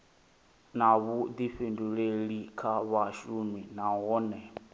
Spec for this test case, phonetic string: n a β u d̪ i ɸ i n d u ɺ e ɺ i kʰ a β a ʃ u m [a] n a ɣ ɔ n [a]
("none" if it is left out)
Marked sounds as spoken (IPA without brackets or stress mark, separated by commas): i, ɛ